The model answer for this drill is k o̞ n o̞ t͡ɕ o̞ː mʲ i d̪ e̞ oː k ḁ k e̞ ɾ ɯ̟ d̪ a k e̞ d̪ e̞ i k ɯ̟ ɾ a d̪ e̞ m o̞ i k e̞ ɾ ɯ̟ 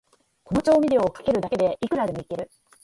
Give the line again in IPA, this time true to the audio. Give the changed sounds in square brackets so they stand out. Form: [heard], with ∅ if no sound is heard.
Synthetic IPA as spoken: k o̞ n o̞ t͡ɕ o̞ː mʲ i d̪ e̞ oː k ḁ k e̞ ɾ ɯ̟ d̪ a k e̞ d̪ e̞ i k ɯ̟ ɾ a d̪ e̞ m o̞ i k e̞ ɾ ɯ̟

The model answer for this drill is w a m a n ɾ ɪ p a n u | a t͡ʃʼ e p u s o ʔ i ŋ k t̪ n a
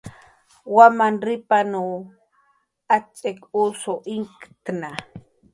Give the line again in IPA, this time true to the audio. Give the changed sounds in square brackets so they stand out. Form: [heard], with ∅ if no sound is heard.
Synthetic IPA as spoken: w a m a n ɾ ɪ p a n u | a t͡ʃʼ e [k] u s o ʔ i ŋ k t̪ n a

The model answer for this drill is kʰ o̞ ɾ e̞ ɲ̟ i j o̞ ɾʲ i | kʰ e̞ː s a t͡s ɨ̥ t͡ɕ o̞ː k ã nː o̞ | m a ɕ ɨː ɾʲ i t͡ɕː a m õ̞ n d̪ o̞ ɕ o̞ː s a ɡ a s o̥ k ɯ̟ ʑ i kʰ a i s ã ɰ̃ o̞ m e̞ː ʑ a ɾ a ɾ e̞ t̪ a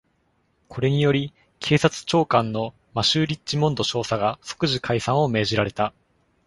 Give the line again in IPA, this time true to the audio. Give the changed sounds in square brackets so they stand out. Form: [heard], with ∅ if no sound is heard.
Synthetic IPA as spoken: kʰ o̞ ɾ e̞ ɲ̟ i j o̞ ɾʲ i | kʰ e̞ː s a t͡s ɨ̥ t͡ɕ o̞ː k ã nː o̞ | m a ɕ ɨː ɾʲ i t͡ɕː [i] m õ̞ n d̪ o̞ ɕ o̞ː s a ɡ a s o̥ k ɯ̟ ʑ i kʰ a i s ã ɰ̃ o̞ m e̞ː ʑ [i] ɾ a ɾ e̞ t̪ a

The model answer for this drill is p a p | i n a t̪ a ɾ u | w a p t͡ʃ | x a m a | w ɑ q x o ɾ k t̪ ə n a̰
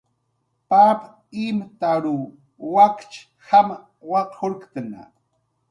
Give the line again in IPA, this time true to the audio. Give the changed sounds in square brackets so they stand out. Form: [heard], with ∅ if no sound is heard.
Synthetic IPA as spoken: p a p | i [m] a t̪ a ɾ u | w a [k] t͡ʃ | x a m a | w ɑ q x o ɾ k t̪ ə n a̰

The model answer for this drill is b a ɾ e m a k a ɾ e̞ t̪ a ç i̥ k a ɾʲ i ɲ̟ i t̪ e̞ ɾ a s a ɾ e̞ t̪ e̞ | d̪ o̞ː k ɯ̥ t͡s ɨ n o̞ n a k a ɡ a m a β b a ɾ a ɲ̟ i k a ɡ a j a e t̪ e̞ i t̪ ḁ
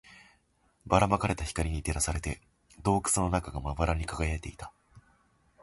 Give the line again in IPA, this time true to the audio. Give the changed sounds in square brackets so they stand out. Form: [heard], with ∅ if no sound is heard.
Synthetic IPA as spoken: b a ɾ [a] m a k a ɾ e̞ t̪ a ç i̥ k a ɾʲ i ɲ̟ i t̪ e̞ ɾ a s a ɾ e̞ t̪ e̞ | d̪ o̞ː k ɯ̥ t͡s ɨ n o̞ n a k a ɡ a m a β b a ɾ a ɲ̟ i k a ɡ a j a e t̪ e̞ i t̪ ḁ

